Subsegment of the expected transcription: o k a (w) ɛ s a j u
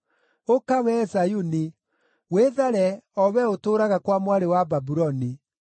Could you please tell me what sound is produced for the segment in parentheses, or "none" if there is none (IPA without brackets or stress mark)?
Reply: w